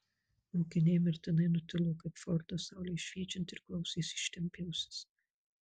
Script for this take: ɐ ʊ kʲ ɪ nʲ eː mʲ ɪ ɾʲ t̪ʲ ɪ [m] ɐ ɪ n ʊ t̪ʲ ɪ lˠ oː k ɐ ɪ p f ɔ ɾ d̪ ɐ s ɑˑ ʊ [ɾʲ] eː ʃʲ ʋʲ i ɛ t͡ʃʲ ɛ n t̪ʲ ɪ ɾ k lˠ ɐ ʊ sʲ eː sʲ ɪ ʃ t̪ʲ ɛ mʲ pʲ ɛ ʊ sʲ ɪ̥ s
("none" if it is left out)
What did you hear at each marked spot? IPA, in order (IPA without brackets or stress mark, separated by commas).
n, lʲ